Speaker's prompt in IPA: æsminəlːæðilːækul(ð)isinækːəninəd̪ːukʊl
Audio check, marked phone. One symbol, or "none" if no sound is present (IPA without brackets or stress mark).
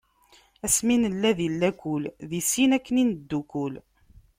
ð